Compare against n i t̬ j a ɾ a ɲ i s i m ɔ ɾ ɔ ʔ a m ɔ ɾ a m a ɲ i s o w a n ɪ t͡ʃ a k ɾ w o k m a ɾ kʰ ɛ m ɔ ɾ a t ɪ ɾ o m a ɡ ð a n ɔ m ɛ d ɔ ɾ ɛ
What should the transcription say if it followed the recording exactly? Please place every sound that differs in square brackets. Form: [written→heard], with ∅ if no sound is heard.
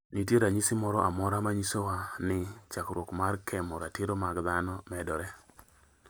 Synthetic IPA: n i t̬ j [a→e] ɾ a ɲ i s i m ɔ ɾ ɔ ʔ a m ɔ ɾ a m a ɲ i s o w a n ɪ t͡ʃ a k ɾ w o k m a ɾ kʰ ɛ m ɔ ɾ a t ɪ ɾ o m a ɡ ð a n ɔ m ɛ d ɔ ɾ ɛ